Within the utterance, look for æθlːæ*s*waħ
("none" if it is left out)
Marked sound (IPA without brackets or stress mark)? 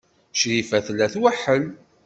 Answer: θ